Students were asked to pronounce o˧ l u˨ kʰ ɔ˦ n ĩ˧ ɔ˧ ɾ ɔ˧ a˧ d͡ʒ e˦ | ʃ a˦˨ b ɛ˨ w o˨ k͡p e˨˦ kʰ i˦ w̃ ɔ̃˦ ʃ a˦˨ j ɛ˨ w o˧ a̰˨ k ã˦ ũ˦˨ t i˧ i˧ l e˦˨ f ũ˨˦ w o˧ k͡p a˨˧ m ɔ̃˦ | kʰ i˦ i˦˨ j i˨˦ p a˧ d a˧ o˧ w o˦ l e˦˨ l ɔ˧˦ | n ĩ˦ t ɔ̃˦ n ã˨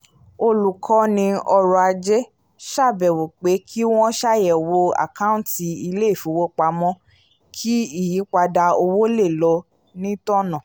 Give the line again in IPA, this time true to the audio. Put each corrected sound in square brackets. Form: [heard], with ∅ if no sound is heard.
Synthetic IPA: o˧ l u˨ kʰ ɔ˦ n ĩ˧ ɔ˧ ɾ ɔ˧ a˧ d͡ʒ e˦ | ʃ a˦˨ b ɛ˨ w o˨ k͡p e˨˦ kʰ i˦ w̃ ɔ̃˦ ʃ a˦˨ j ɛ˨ w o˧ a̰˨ k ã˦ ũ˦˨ t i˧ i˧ l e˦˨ f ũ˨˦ w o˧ k͡p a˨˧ m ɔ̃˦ | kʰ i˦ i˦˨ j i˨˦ [k͡p] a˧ d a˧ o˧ w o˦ l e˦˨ l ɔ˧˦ | n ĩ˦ t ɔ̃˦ n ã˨